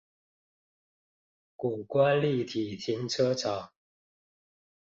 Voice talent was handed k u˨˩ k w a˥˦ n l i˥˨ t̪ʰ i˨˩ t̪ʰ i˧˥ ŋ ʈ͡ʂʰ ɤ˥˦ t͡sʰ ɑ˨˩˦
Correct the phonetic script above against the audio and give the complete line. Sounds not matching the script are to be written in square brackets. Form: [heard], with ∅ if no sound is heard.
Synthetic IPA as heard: k u˨˩ k w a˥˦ n l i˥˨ t̪ʰ i˨˩ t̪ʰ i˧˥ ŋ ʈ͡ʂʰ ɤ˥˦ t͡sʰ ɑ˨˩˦